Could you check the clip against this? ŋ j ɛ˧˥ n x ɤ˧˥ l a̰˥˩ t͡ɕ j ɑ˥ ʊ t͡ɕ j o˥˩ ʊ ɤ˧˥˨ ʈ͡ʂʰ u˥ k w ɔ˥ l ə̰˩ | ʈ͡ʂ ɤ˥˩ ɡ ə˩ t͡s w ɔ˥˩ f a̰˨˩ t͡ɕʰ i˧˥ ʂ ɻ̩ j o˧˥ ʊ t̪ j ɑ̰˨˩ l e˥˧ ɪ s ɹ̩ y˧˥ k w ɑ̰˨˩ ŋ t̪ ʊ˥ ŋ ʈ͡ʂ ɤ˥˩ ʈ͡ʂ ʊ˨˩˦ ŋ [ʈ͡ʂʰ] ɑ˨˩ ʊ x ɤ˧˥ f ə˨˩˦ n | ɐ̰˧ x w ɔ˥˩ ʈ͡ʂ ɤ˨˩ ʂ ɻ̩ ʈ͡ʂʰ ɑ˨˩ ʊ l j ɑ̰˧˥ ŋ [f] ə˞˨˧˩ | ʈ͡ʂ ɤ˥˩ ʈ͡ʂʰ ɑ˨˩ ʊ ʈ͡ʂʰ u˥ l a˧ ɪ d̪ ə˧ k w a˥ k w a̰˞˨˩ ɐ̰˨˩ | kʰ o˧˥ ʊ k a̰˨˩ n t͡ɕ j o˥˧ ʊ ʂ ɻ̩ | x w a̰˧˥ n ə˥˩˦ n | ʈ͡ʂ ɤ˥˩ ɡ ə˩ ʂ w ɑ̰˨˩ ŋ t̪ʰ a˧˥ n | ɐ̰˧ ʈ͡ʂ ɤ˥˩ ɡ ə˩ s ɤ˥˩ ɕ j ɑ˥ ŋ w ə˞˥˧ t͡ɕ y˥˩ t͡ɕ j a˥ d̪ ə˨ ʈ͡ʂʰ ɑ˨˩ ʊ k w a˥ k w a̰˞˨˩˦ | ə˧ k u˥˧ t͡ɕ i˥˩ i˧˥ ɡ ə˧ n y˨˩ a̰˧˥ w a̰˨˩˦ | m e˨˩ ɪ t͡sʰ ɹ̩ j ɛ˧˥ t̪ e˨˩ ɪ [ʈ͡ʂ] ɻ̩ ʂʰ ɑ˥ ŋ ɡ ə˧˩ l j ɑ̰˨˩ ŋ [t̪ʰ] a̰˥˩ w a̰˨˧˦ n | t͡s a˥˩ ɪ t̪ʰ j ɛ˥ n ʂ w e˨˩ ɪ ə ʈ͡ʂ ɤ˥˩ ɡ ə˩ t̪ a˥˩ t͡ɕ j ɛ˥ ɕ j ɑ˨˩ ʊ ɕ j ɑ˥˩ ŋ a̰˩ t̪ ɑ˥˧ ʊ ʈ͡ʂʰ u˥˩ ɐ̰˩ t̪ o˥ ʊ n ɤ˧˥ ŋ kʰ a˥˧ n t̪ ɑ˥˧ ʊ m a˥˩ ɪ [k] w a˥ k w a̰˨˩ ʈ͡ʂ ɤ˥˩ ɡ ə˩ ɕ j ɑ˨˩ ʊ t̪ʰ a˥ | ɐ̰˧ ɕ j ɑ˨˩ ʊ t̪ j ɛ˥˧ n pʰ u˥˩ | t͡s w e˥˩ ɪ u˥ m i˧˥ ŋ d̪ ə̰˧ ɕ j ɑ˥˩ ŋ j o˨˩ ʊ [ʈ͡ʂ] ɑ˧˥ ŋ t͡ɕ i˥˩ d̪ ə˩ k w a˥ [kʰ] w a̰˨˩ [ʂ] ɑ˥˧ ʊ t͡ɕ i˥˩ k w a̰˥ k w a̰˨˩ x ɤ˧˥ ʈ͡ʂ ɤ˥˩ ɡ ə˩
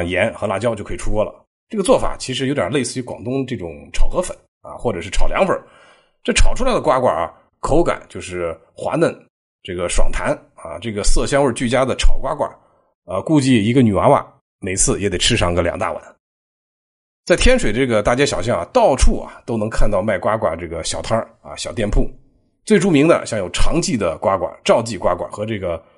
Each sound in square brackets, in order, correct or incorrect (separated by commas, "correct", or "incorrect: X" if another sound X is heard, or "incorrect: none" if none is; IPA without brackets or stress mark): correct, correct, incorrect: ʈ͡ʂʰ, incorrect: t̪, correct, incorrect: ʈ͡ʂʰ, incorrect: k, incorrect: ʈ͡ʂ